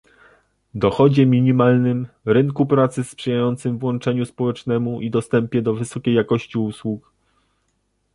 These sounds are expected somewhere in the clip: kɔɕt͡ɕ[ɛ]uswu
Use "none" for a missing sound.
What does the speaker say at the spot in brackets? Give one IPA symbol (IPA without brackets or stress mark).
i